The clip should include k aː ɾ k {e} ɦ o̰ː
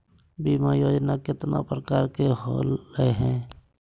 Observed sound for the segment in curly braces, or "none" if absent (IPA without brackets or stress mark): e